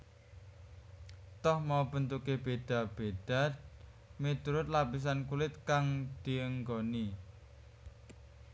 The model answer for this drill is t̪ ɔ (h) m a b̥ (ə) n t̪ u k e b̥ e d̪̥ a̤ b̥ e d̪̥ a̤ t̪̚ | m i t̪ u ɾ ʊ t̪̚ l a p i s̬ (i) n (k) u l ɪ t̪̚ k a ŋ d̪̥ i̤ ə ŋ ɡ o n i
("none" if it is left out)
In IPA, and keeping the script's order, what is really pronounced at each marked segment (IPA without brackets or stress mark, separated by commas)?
h, ə, a, k